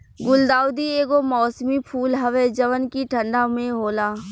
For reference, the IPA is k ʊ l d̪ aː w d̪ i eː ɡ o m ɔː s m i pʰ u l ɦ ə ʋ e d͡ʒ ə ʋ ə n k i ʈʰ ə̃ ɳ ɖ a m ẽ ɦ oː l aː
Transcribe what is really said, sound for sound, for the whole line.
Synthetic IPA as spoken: ɡ ʊ l d̪ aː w d̪ i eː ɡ o m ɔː s m i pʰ uː l ɦ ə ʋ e d͡ʒ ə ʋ ə n k i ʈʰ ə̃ ɳ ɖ a m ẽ ɦ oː l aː